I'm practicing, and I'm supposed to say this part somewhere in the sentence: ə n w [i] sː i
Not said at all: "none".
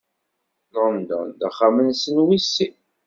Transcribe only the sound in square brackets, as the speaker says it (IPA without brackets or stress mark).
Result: i